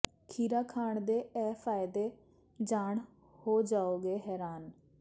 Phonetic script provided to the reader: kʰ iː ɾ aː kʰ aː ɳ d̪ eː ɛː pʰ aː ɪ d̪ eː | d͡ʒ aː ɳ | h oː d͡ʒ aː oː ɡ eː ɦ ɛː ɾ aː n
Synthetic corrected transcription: kʰ iː ɾ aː kʰ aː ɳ d̪ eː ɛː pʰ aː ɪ d̪ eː | d͡ʒ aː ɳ | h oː d͡ʒ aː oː ɡ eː ɦ ɛː ɾ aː n